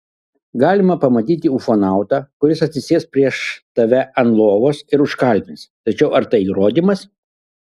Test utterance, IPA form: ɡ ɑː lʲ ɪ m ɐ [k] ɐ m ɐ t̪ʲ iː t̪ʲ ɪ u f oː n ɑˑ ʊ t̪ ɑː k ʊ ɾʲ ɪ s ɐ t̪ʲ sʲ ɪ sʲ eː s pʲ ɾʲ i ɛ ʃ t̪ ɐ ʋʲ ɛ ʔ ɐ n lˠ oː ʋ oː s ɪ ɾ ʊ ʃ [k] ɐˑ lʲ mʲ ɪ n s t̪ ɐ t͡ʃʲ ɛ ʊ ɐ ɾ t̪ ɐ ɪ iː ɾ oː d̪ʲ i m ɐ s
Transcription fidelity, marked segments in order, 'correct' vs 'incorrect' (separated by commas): incorrect, correct